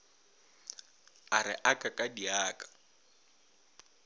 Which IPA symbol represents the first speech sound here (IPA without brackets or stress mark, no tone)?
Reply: a